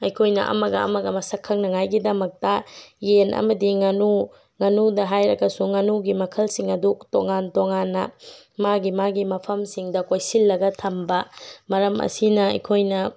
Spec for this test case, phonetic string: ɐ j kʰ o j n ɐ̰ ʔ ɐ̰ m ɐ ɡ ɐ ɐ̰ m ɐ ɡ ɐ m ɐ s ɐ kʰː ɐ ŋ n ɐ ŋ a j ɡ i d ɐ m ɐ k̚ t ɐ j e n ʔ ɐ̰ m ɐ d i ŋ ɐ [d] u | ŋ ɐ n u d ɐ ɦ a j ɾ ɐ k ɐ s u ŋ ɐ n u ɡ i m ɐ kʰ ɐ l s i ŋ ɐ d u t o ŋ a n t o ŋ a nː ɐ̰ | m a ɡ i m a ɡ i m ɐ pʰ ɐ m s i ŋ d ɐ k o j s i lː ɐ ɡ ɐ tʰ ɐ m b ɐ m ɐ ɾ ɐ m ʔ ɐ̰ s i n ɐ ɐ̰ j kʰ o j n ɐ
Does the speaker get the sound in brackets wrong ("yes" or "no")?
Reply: yes